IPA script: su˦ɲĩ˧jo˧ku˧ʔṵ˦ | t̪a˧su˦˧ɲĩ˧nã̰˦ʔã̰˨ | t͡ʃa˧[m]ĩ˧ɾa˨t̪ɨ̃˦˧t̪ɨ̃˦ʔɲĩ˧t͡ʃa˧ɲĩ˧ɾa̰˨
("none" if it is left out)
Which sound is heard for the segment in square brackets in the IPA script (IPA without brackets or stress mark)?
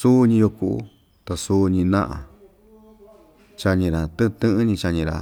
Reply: ɲ